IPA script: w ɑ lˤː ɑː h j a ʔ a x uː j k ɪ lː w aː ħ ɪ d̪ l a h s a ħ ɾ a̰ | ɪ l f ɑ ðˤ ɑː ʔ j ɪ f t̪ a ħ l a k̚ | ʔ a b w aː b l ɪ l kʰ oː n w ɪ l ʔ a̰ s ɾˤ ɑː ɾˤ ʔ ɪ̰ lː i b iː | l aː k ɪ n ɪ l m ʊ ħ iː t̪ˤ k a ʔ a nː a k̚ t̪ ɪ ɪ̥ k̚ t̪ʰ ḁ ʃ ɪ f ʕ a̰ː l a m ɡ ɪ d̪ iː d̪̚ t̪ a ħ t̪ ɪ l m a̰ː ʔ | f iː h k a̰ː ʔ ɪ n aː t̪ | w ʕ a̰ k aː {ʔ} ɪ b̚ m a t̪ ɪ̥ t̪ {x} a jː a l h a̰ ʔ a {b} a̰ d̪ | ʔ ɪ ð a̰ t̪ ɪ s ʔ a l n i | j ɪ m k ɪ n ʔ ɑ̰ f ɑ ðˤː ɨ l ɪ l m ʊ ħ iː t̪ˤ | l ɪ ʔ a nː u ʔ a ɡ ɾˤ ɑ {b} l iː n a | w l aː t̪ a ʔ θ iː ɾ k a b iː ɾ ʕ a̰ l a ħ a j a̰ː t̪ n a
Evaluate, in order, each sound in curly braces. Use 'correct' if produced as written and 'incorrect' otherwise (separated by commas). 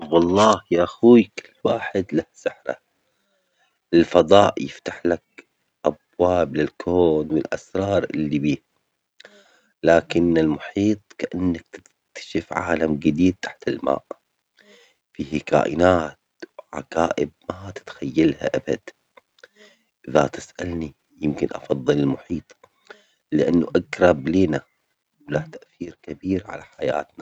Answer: correct, correct, correct, correct